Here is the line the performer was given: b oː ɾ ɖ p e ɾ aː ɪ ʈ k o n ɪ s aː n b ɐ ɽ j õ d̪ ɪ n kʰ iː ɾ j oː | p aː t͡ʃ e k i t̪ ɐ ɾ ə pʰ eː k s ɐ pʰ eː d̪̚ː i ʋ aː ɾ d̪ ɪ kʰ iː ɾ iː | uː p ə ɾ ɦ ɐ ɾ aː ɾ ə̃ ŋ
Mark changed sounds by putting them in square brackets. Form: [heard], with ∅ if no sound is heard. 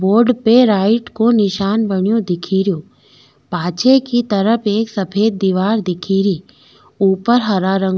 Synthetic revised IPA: b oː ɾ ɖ p e ɾ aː ɪ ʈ k o n ɪ [ʃ] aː n b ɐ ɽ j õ d̪ ɪ [∅] kʰ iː ɾ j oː | p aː t͡ʃ e k i t̪ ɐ ɾ ə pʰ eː k s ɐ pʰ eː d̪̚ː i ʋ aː ɾ d̪ ɪ kʰ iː ɾ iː | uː p ə ɾ ɦ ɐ ɾ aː ɾ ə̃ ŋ